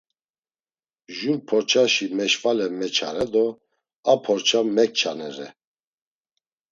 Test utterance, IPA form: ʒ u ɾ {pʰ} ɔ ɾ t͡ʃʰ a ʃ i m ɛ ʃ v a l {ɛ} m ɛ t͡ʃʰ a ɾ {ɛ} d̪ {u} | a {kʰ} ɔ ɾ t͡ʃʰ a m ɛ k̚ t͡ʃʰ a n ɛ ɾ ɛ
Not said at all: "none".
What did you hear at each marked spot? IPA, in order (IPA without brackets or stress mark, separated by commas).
pʰ, ɛ, ɛ, ɔ, pʰ